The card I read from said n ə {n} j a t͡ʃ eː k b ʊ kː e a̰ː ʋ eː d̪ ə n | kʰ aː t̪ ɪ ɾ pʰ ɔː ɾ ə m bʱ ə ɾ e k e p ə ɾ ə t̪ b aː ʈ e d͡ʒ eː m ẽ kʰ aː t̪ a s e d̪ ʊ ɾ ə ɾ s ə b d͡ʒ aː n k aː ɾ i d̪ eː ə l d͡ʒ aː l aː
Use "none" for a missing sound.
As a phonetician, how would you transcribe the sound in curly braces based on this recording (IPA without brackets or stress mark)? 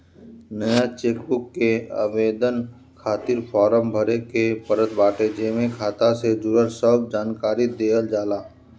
none